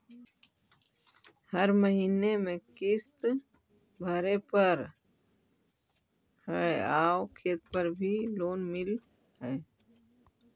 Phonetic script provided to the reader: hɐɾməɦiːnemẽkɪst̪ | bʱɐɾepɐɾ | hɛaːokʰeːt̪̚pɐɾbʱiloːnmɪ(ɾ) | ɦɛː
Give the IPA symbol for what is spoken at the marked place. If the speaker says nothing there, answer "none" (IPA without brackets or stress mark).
l